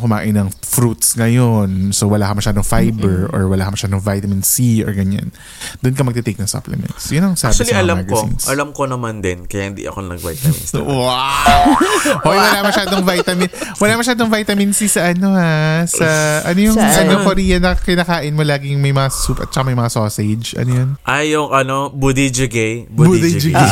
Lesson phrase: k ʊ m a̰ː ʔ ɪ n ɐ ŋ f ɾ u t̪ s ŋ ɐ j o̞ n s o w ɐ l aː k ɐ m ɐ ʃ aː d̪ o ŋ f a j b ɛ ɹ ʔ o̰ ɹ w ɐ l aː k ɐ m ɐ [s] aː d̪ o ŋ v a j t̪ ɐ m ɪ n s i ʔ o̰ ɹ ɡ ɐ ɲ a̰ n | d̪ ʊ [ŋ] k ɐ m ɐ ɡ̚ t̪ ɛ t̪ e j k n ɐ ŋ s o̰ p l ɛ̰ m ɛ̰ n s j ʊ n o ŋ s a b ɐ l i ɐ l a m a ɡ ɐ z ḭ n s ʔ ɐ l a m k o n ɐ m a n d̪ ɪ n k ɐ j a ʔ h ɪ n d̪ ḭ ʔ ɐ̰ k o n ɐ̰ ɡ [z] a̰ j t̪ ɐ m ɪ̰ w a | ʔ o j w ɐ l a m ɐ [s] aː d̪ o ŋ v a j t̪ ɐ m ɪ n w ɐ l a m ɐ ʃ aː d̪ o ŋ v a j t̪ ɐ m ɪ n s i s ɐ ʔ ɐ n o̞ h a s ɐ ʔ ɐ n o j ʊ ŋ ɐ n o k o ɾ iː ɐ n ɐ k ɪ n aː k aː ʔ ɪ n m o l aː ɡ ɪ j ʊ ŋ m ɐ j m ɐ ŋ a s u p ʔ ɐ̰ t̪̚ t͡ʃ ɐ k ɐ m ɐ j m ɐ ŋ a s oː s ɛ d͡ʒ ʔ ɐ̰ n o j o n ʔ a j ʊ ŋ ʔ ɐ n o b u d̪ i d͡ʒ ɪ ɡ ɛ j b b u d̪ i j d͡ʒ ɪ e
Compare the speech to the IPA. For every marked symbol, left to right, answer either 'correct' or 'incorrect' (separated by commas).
incorrect, incorrect, incorrect, incorrect